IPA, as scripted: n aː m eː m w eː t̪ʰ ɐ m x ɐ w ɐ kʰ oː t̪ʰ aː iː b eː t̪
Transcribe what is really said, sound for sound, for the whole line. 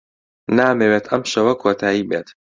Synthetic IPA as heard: n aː m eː w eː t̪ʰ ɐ m ʃ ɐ w ɐ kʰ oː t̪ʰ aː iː b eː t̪